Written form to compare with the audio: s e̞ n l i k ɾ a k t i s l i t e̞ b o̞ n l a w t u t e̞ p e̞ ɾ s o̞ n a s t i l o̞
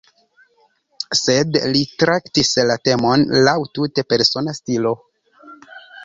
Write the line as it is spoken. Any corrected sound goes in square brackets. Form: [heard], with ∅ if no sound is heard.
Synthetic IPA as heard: s e̞ [d] l i [t] ɾ a k t i s l [a] t e̞ [m] o̞ n l a w t u t e̞ p e̞ ɾ s o̞ n a s t i l o̞